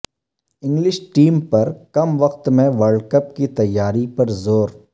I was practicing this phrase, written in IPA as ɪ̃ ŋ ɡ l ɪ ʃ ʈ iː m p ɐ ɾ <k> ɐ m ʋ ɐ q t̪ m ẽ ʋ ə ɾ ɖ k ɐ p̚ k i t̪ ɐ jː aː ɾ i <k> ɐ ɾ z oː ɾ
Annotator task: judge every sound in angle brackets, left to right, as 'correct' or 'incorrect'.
correct, incorrect: p

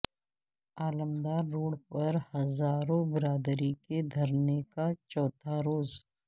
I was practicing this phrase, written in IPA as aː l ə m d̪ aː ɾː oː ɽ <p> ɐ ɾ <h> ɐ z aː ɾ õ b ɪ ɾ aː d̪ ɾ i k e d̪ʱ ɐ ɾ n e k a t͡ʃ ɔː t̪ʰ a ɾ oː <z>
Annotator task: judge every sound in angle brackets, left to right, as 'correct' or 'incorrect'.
correct, correct, correct

